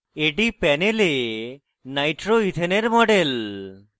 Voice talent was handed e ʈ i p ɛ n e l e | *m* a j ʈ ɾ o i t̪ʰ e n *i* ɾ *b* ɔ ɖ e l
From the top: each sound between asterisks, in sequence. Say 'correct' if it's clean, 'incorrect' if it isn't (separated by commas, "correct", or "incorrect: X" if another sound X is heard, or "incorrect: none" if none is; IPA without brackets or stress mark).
incorrect: n, incorrect: e, incorrect: m